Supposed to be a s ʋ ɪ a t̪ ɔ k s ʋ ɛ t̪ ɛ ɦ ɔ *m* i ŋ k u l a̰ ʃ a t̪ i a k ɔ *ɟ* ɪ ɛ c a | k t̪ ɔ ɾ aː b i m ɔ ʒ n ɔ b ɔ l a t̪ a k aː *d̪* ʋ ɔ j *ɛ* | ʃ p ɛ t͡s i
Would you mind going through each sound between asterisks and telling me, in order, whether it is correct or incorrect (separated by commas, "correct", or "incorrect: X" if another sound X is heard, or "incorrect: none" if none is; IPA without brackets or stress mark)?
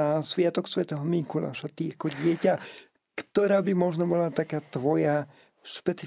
correct, correct, incorrect: t̪, incorrect: a